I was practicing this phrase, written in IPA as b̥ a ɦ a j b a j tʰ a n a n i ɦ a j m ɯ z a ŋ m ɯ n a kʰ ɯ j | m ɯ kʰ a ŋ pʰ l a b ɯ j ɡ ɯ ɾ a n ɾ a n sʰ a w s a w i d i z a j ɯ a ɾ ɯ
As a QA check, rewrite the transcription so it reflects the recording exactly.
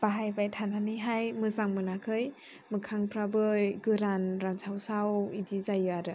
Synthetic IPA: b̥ a ɦ a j b a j tʰ a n a n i ɦ a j m ɯ z a ŋ m ɯ n a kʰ ɯ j | m ɯ kʰ a ŋ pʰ ɾ a b ɯ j ɡ ɯ ɾ a n ɾ a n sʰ a w s a w i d i z a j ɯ a ɾ ɯ